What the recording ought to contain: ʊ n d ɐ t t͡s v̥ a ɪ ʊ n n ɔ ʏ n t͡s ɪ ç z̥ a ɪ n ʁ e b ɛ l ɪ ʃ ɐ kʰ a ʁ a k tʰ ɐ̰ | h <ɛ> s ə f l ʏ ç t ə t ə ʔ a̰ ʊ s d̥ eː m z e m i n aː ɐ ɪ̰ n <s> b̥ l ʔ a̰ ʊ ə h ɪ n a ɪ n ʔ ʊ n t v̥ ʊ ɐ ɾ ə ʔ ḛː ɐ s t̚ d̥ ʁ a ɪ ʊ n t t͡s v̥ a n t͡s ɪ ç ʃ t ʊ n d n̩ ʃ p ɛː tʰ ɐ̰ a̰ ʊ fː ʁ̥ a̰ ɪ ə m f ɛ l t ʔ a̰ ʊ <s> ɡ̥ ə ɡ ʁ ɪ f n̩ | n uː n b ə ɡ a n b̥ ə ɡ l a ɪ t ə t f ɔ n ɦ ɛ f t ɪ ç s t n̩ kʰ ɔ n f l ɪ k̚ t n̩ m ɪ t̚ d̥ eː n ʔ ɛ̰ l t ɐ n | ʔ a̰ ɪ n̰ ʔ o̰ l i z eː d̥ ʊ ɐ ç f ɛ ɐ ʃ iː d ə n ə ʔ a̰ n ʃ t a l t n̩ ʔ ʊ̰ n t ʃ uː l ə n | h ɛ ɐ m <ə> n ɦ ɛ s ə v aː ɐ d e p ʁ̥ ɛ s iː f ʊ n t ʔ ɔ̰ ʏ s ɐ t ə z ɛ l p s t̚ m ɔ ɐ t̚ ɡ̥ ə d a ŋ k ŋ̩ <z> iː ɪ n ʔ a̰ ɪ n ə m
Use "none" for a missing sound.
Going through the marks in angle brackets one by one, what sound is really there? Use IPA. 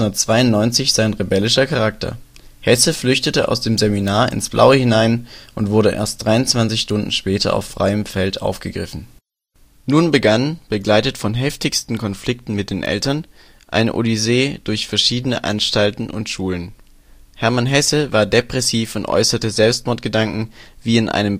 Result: ɛ, s, f, a, v

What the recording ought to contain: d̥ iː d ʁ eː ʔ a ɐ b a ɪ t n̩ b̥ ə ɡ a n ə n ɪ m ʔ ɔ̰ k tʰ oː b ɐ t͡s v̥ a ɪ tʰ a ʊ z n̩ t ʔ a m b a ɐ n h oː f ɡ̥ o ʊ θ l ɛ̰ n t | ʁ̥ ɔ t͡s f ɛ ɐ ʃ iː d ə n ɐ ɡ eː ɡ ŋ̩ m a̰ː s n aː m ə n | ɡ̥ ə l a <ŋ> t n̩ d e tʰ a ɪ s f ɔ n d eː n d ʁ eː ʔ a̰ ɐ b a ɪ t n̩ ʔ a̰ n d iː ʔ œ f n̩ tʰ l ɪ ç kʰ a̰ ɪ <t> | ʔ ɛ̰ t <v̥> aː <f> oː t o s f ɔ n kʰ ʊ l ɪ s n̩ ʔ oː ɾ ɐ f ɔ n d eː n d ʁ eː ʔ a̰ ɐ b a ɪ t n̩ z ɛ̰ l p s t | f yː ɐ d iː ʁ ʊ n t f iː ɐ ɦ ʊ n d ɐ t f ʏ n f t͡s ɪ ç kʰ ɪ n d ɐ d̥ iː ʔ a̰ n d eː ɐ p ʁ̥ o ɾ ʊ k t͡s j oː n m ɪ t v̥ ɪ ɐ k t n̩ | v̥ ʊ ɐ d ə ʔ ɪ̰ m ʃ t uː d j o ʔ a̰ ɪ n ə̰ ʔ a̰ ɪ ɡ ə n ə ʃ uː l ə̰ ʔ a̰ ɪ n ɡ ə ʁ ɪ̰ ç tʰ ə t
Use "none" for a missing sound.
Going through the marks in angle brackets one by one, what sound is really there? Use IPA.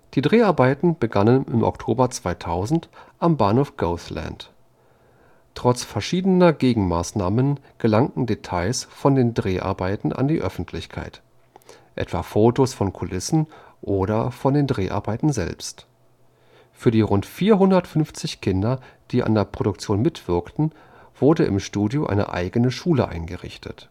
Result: ŋ, t, v̥, f

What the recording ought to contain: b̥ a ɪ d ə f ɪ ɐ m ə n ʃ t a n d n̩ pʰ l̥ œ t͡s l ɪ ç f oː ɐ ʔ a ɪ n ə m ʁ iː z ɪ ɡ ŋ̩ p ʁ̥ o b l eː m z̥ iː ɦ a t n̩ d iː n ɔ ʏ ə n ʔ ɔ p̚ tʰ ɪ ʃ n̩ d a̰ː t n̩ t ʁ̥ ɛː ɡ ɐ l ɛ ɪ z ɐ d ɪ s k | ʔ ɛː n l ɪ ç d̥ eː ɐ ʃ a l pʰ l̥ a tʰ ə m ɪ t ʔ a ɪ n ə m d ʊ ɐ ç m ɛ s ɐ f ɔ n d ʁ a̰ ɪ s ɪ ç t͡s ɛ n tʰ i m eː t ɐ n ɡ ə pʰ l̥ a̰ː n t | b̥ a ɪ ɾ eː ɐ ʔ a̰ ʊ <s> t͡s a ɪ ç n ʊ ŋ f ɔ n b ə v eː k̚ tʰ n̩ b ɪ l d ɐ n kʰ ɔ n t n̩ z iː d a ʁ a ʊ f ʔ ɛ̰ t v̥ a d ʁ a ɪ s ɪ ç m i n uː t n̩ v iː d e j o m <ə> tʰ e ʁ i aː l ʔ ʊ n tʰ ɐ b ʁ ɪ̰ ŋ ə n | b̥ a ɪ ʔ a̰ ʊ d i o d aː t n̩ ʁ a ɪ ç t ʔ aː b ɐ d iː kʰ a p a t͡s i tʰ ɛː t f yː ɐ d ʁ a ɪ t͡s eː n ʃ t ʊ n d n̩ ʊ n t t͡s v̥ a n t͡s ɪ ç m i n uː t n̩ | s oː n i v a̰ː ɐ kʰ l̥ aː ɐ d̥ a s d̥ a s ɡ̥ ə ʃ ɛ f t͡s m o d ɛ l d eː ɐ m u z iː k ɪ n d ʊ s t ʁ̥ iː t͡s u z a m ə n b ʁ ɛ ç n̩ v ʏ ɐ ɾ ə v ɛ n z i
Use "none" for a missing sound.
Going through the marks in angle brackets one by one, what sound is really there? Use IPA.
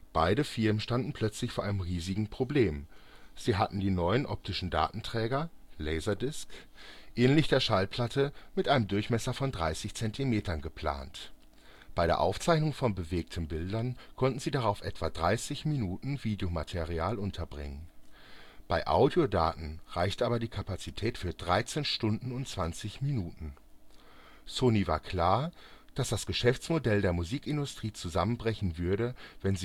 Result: f, a

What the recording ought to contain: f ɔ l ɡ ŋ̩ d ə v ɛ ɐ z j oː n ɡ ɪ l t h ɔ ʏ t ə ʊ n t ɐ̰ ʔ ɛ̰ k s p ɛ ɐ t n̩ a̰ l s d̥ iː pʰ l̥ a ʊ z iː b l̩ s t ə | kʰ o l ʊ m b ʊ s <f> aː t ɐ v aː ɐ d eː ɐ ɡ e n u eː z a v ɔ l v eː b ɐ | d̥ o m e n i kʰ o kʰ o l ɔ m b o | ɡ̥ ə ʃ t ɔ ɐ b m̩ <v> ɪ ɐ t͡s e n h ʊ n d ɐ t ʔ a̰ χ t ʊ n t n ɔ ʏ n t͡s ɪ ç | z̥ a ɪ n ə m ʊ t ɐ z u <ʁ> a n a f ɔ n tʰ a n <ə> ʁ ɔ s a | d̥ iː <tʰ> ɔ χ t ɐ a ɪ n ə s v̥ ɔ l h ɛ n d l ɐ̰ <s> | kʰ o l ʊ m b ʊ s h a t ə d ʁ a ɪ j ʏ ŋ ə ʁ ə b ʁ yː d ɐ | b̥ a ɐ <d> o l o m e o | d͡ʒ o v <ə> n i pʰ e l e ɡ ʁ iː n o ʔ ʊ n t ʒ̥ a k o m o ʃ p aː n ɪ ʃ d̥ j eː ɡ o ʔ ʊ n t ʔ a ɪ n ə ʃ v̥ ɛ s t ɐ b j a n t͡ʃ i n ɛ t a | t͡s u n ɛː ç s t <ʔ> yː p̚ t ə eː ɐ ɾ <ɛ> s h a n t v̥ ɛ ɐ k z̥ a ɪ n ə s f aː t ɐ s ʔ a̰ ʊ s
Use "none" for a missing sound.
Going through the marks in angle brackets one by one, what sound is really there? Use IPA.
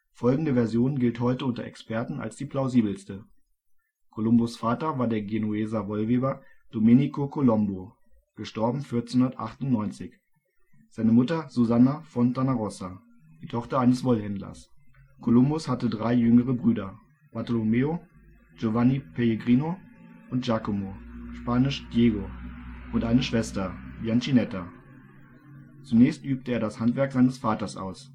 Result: f, f, z, a, tʰ, s, t, a, ʔ, a

